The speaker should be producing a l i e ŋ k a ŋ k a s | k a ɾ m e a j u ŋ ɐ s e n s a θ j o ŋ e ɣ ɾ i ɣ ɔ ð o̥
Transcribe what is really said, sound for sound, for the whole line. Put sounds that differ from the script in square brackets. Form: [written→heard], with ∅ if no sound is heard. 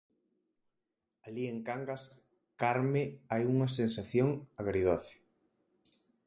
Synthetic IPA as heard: a l i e ŋ k a ŋ [k→ɡ] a s | k a ɾ m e a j u ŋ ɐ s e n s a θ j o ŋ [e→a] ɣ ɾ i [ɣ→ð] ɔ [ð→θ] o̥